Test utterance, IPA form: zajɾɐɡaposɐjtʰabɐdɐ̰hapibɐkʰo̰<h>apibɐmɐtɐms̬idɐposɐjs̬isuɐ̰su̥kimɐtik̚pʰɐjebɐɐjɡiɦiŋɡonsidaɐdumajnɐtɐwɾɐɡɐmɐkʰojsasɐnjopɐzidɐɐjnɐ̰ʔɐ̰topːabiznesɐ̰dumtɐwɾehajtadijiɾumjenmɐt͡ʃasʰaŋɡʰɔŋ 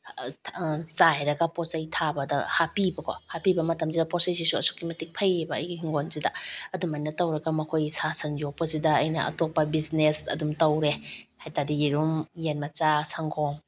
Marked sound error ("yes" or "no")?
no